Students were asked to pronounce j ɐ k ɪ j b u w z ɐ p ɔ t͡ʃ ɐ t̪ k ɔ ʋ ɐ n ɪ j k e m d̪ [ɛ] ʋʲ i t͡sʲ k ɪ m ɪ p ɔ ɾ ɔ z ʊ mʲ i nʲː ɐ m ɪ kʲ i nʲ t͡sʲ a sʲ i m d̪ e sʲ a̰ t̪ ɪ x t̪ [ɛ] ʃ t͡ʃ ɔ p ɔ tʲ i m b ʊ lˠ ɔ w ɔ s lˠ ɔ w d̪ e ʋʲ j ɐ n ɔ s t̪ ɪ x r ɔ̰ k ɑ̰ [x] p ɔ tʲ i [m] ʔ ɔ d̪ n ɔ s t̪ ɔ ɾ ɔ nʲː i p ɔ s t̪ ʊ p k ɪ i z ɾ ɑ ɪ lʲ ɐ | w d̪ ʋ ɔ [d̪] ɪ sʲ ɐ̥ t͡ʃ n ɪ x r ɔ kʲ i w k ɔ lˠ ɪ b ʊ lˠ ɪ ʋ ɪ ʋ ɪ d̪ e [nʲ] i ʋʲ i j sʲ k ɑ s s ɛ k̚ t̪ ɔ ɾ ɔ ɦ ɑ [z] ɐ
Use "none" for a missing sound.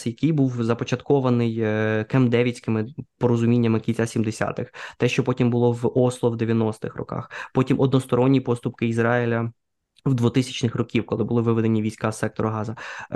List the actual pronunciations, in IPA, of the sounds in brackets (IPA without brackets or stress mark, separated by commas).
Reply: ɛ, ɛ, x, m, t̪, nʲ, z